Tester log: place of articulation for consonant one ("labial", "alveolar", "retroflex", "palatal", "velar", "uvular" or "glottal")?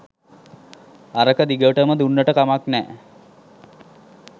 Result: alveolar